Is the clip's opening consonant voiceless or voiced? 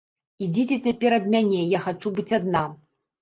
voiced